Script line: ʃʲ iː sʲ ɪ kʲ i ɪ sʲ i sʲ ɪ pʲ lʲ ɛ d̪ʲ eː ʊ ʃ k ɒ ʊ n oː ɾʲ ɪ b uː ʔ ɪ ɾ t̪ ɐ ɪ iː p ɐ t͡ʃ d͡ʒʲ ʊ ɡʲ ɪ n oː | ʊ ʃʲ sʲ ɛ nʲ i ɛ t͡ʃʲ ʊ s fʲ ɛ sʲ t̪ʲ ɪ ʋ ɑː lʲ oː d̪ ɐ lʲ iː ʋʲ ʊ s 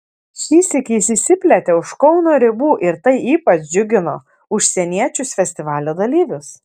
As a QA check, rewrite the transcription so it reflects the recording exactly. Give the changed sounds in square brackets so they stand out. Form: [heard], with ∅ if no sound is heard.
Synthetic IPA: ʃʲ iː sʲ ɪ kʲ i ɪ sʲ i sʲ ɪ pʲ lʲ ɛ [t̪ʲ] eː ʊ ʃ k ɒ ʊ n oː ɾʲ ɪ b uː ʔ ɪ ɾ t̪ ɐ ɪ iː p ɐ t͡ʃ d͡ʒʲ ʊ ɡʲ ɪ n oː | ʊ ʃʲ sʲ ɛ nʲ i ɛ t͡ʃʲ ʊ s fʲ ɛ sʲ t̪ʲ ɪ ʋ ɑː lʲ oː d̪ ɐ lʲ iː ʋʲ ʊ s

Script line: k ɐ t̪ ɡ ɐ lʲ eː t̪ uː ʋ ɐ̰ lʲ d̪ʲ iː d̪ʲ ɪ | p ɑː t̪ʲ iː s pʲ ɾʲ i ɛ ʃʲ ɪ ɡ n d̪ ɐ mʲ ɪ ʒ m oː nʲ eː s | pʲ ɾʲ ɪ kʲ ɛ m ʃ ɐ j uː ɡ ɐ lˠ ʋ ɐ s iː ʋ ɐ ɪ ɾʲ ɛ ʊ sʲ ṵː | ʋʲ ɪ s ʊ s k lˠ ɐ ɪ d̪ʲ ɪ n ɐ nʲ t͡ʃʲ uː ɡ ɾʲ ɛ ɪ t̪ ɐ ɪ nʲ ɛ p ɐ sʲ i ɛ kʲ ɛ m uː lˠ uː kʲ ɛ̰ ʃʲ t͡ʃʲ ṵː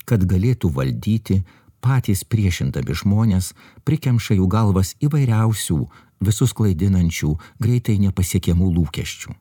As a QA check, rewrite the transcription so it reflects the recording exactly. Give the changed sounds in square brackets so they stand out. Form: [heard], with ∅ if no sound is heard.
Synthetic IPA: k ɐ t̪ ɡ ɐ lʲ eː t̪ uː ʋ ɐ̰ lʲ d̪ʲ iː [t̪ʲ] ɪ | p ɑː t̪ʲ iː s pʲ ɾʲ i ɛ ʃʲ ɪ [∅] n d̪ ɐ mʲ ɪ ʒ m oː nʲ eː s | pʲ ɾʲ ɪ kʲ ɛ m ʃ ɐ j uː ɡ ɐ lˠ ʋ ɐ s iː ʋ ɐ ɪ ɾʲ ɛ ʊ sʲ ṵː | ʋʲ ɪ s ʊ s k lˠ ɐ ɪ d̪ʲ ɪ n ɐ nʲ t͡ʃʲ uː ɡ ɾʲ ɛ ɪ t̪ ɐ ɪ nʲ ɛ p ɐ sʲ i ɛ kʲ ɛ m uː lˠ uː kʲ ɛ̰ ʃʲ t͡ʃʲ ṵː

